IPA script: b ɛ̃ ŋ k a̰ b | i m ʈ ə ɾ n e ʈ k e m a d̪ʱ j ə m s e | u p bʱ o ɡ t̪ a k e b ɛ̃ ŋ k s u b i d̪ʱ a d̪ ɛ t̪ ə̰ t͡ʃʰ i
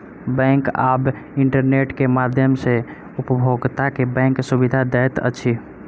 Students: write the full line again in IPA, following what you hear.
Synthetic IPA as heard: b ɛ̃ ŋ k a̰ b | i ɳ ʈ ə ɾ n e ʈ k e m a d̪ʱ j ə m s e | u p bʱ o ɡ t̪ a k e b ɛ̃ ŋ k s u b i d̪ʱ a d̪ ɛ t̪ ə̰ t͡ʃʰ i